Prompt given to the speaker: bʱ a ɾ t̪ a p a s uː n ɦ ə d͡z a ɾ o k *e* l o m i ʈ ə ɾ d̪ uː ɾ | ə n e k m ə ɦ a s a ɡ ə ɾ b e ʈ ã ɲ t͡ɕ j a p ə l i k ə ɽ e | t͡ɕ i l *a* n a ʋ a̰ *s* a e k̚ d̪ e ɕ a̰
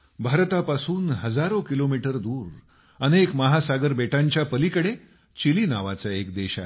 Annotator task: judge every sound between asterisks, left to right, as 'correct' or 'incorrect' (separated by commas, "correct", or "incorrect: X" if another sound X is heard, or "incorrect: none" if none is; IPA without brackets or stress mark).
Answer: incorrect: i, incorrect: i, incorrect: t͡s